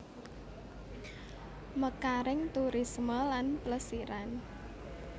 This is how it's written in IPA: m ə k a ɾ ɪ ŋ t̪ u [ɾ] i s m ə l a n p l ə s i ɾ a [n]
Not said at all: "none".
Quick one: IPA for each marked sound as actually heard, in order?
ɾ, n

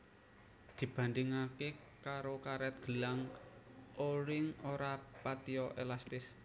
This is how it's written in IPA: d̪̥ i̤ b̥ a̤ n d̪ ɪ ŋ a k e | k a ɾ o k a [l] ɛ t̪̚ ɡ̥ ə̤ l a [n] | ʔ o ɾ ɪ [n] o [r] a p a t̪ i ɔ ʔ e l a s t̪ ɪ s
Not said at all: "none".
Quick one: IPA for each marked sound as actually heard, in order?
ɾ, ŋ, ŋ, ɾ

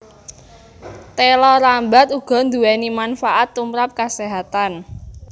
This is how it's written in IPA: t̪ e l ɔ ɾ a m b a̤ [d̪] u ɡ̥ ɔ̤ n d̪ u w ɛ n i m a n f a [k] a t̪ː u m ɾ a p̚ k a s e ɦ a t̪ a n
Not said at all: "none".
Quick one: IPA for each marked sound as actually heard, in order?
t̪, ʔ

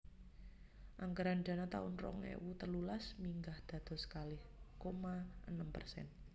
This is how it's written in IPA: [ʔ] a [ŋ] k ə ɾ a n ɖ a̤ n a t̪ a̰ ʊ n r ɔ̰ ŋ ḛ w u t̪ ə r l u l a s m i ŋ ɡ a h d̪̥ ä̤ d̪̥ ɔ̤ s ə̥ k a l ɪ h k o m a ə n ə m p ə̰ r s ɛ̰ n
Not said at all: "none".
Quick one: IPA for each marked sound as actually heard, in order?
ʔ, ŋ

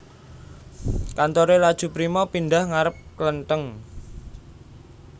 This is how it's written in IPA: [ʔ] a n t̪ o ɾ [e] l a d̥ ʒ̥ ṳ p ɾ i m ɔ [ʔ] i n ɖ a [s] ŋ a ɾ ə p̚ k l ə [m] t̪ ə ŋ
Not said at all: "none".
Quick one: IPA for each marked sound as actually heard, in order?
k, e, p, h, n

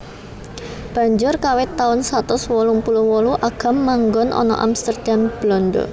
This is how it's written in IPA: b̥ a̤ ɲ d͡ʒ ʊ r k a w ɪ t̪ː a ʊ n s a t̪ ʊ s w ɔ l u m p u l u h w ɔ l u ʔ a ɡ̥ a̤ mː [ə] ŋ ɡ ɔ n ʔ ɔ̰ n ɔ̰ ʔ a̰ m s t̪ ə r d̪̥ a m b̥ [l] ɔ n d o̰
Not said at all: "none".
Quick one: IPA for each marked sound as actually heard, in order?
a, l

